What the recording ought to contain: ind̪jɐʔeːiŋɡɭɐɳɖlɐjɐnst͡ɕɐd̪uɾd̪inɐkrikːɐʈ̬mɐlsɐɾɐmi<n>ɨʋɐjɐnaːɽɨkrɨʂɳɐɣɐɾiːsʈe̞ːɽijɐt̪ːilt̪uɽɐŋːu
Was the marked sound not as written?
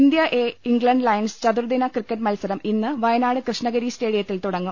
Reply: yes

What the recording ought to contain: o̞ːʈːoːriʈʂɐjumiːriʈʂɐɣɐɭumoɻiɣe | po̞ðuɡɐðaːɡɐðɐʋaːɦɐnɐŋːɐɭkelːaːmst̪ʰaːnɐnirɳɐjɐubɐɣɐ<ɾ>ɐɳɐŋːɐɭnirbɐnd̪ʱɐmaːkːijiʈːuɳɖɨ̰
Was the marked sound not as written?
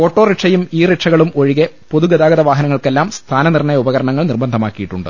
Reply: no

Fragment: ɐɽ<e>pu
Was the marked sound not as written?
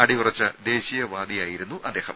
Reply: yes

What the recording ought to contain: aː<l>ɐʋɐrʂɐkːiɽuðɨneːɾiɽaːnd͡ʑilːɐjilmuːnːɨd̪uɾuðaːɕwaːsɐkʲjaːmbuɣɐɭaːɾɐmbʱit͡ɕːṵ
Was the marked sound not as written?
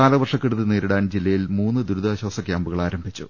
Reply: no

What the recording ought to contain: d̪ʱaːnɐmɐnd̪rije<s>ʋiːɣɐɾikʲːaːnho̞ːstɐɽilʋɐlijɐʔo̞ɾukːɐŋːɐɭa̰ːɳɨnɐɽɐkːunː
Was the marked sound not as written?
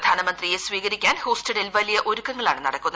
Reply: no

